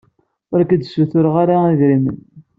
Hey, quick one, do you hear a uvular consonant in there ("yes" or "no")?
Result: yes